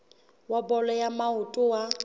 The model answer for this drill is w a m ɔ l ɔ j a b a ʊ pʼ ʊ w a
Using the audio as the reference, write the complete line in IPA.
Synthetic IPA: w a b ɔ l ɔ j a m a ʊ tʼ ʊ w a